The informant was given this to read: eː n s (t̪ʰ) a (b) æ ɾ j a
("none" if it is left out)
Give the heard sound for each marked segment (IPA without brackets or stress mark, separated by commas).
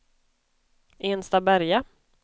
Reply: t̪, b